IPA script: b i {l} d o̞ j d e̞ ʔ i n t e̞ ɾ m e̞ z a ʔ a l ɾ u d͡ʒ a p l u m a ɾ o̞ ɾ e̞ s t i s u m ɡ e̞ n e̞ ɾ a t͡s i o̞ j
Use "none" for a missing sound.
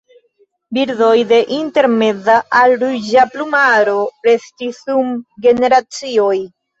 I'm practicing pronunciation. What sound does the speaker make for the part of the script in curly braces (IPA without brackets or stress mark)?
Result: ɾ